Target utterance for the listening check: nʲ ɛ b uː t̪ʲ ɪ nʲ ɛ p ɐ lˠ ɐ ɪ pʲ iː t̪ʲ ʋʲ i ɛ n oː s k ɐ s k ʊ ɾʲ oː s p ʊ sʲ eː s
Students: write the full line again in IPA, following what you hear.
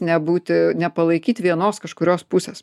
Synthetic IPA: nʲ ɛ b uː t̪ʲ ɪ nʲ ɛ p ɐ lˠ ɐ ɪ kʲ iː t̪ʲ ʋʲ i ɛ n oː s k ɐ ʃ k ʊ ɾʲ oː s p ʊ sʲ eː s